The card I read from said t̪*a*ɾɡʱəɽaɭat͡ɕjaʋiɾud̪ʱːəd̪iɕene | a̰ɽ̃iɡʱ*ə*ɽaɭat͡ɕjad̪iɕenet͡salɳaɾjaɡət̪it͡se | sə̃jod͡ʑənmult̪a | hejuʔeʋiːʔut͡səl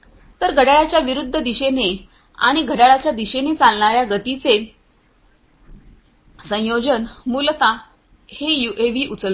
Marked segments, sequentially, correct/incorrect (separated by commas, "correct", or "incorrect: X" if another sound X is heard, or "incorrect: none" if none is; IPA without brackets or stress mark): incorrect: ə, correct